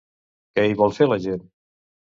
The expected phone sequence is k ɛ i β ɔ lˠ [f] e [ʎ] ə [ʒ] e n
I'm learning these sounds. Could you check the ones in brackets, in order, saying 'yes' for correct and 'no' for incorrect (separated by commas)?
yes, no, yes